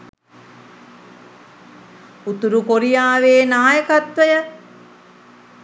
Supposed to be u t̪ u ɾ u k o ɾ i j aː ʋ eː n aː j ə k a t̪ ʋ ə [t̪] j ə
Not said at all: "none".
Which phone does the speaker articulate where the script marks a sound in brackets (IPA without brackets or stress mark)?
none